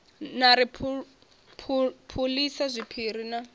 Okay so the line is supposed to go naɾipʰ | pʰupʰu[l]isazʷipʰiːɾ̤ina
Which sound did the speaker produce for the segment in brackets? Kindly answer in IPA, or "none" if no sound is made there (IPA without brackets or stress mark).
l